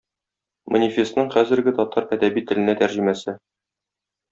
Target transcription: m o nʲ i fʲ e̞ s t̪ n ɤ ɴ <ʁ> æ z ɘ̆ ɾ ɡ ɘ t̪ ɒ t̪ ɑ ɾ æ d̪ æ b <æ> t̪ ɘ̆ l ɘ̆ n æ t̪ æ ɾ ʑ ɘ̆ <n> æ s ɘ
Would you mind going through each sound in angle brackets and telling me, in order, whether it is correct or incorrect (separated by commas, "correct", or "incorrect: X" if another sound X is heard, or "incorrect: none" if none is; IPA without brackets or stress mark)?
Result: incorrect: χ, incorrect: i, incorrect: m